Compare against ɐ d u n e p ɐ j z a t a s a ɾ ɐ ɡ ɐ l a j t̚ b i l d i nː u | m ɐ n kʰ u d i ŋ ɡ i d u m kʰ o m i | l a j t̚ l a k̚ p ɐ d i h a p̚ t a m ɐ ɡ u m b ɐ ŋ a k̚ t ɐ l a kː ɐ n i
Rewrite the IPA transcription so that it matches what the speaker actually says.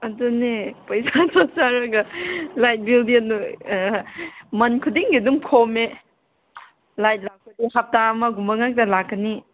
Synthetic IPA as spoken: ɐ d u n e p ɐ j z a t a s a ɾ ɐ ɡ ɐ l a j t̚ b i l d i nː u | m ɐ n kʰ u d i ŋ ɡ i d u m kʰ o m e | l a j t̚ l a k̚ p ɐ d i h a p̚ t a m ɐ ɡ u m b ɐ ŋ a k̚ t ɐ l a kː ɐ n i